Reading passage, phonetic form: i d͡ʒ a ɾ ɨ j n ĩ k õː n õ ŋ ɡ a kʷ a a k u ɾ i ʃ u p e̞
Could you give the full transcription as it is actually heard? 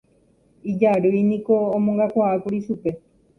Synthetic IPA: i d͡ʒ a ɾ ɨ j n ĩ k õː m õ ŋ ɡ a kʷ a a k u ɾ i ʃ u p e̞